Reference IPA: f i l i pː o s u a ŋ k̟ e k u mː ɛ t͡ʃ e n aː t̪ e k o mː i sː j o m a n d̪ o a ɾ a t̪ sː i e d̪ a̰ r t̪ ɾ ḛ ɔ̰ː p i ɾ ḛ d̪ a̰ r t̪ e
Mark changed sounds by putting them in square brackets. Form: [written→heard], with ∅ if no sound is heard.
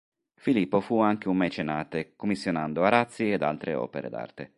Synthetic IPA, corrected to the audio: f i l i pː o [s→f] u a ŋ k̟ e [k→∅] u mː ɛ t͡ʃ e n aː t̪ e k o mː i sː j o [m→n] a n d̪ o a ɾ a t̪ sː i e d̪ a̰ [r→l] t̪ ɾ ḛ ɔ̰ː p [i→e] ɾ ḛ d̪ a̰ r t̪ e